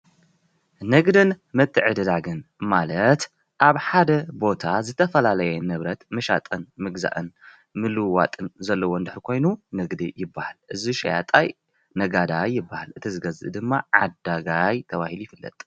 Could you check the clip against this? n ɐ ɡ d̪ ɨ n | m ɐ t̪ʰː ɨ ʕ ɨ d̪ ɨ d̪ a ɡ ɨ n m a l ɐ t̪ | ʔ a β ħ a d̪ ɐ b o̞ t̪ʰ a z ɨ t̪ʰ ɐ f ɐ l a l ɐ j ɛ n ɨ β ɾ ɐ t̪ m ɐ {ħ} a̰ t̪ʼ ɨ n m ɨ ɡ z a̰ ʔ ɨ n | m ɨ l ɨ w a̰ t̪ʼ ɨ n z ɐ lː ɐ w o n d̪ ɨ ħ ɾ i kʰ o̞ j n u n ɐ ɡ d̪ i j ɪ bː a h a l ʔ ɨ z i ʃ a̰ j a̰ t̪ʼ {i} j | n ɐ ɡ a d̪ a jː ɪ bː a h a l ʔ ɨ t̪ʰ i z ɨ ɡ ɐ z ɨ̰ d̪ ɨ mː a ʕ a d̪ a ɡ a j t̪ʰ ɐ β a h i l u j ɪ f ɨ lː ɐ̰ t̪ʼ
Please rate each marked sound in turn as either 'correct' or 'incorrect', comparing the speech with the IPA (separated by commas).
incorrect, incorrect